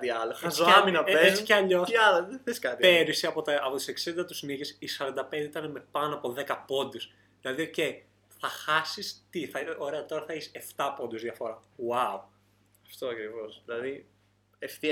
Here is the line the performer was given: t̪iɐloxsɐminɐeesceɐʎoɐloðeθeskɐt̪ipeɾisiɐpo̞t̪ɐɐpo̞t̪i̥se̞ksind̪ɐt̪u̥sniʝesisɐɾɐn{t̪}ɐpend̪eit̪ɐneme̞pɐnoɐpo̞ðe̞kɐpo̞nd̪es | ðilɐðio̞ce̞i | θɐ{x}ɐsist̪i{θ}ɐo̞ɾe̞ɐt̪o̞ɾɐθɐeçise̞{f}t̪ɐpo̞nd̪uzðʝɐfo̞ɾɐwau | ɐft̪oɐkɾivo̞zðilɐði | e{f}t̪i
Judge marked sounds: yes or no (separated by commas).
no, yes, yes, yes, yes